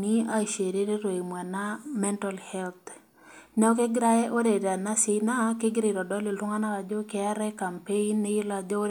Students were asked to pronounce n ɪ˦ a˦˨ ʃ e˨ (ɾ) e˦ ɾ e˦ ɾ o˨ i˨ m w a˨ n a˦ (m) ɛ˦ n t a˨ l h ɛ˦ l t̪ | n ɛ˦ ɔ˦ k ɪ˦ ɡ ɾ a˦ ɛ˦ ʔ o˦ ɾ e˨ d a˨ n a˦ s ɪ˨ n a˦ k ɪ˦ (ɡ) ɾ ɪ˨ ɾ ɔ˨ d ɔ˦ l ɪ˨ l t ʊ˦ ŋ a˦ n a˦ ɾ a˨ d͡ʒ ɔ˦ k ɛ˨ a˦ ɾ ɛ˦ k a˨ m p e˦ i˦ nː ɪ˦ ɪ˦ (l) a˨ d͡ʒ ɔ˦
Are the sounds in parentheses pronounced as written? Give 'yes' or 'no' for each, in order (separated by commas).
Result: yes, yes, yes, yes